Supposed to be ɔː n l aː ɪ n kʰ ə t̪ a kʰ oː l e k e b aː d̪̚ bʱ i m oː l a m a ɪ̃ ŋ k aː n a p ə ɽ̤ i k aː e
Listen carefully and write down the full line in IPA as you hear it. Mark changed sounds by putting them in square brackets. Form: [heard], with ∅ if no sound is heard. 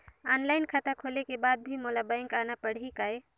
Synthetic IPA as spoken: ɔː n l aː ɪ n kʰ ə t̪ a kʰ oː l e k e b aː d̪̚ bʱ i m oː l a [b] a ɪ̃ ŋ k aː n a p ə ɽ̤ i k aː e

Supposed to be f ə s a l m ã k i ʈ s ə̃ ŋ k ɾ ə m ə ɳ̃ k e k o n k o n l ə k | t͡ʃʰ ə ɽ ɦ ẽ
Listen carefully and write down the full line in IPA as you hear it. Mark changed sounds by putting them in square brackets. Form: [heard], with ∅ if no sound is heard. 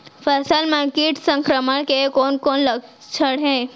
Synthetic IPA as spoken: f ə s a l m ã k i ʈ s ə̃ ŋ k ɾ ə m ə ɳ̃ k e k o n k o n l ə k | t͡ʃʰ ə ɽ ɦ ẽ

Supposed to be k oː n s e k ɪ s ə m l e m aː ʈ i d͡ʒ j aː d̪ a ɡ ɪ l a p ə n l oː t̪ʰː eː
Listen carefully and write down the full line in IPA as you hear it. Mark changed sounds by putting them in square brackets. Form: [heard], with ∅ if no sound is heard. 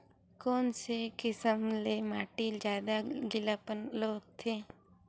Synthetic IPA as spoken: k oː n s e k ɪ s ə m l e m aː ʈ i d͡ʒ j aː d̪ a ɡ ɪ l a p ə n l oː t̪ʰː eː

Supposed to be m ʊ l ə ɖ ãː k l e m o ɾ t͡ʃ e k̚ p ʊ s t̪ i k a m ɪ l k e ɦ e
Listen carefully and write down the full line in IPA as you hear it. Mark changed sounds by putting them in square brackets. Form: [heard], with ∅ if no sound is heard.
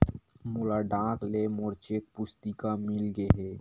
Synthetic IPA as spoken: m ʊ l [a] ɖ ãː k l e m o ɾ t͡ʃ e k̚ p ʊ s t̪ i k a m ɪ l [ɡ] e ɦ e

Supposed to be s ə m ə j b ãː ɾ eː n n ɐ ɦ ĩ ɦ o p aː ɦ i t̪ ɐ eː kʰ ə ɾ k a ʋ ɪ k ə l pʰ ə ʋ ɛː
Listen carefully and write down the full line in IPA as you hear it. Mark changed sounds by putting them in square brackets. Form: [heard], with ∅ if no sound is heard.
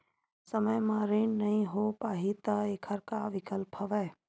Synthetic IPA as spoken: s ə m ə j [m] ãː ɾ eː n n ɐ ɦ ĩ ɦ o p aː ɦ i t̪ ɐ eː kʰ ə ɾ k a ʋ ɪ k ə l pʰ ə ʋ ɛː

